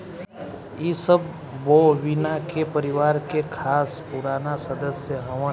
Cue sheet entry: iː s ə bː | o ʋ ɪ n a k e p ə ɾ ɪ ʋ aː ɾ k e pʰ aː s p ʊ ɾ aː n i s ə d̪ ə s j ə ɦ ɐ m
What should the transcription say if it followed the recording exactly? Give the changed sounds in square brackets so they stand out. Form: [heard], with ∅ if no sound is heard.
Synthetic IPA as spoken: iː s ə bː | o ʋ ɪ n a k e p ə ɾ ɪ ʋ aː ɾ k e [kʰ] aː s p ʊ ɾ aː n [a] s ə d̪ ə s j ə ɦ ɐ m